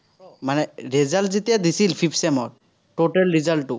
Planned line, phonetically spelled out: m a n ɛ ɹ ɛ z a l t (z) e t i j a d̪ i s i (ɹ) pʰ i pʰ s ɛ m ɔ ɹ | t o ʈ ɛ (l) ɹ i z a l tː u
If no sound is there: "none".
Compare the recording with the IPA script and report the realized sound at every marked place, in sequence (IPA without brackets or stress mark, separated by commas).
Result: z, l, l